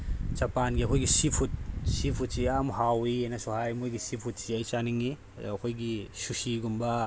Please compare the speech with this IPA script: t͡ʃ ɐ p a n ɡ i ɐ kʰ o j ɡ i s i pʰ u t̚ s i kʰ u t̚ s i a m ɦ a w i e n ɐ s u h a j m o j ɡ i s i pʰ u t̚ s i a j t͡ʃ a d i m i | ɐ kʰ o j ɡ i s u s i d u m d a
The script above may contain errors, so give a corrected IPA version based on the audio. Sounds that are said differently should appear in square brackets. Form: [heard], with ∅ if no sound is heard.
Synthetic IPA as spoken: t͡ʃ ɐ p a n ɡ i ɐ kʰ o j ɡ i s i pʰ u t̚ s i [pʰ] u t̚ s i a m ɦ a w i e n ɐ s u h a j m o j ɡ i s i pʰ u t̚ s i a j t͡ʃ a [n] i [ŋ] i | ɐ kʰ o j ɡ i s u s i [ɡ] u m [b] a